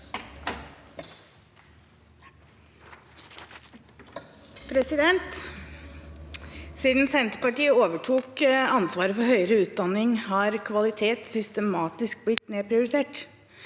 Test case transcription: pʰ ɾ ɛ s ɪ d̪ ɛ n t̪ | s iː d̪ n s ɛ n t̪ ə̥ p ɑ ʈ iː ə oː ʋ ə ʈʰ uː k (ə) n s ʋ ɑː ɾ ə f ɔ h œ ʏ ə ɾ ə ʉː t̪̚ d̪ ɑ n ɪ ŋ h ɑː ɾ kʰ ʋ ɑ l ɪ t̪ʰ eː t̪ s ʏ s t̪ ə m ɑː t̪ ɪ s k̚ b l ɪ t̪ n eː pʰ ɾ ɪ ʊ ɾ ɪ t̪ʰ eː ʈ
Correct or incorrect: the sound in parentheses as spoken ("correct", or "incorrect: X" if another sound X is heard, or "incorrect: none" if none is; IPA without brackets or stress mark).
incorrect: ɑ